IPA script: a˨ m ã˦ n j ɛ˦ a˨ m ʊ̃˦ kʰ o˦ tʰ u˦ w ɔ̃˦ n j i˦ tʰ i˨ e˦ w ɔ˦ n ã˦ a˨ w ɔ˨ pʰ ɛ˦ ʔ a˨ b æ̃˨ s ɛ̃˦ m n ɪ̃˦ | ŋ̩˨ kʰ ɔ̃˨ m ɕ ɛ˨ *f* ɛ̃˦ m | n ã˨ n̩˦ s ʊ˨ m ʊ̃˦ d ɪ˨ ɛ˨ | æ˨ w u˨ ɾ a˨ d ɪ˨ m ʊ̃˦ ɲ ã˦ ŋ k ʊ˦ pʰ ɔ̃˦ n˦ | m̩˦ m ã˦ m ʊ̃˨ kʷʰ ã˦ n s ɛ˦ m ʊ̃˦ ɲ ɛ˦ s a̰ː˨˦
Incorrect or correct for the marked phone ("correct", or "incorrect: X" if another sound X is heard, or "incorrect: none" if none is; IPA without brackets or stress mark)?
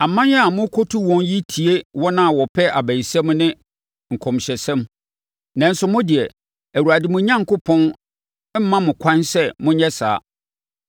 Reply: incorrect: s